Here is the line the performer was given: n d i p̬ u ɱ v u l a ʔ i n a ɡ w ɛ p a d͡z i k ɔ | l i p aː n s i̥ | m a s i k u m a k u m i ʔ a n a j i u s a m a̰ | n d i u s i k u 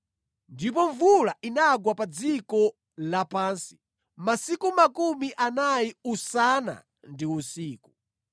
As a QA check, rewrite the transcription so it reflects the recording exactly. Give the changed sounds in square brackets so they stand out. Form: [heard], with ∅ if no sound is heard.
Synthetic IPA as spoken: n d i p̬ [ɔ] ɱ v u l a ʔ i n a ɡ w [a] p a d͡z i k ɔ | l [a] p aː n s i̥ | m a s i k u m a k u m i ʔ a n a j i u s a [n] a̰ | n d i u s [iː] k u